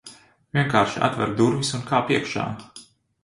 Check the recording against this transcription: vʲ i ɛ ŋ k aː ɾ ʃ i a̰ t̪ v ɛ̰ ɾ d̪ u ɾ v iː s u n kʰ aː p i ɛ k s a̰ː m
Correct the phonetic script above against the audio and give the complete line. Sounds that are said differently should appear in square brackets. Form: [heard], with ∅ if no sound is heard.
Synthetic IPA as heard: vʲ i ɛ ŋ k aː ɾ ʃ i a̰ t̪ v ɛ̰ ɾ d̪ u ɾ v [i] s u n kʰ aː p i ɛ k [ʃ] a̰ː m